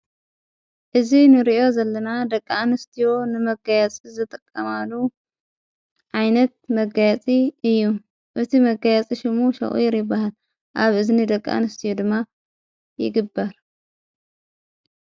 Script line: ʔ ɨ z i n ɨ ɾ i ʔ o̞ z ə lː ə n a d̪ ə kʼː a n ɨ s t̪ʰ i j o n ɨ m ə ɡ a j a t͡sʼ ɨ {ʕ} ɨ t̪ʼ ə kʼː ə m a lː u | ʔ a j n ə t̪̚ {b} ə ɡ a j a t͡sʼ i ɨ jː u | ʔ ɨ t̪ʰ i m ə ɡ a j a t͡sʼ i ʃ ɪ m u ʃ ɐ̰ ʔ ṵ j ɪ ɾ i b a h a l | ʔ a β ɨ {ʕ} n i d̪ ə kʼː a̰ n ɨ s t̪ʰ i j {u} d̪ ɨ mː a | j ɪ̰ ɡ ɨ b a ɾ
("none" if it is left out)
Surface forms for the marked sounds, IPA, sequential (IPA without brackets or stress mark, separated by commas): z, m, z, o